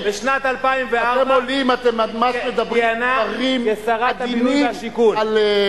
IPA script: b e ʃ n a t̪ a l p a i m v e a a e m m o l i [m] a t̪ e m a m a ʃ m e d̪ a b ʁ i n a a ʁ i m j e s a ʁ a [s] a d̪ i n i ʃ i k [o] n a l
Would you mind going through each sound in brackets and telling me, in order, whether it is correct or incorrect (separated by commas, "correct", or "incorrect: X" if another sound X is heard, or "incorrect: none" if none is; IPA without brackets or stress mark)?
correct, incorrect: none, incorrect: u